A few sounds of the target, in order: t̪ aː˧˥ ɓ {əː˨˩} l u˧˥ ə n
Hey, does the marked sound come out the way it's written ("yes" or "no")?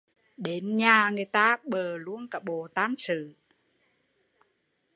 yes